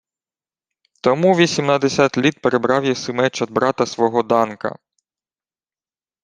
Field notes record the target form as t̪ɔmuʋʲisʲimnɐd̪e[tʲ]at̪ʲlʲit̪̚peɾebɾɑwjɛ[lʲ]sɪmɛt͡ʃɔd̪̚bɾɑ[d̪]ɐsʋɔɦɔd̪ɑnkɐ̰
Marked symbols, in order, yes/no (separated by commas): no, no, no